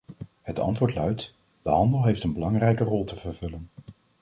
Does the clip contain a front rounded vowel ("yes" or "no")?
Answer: yes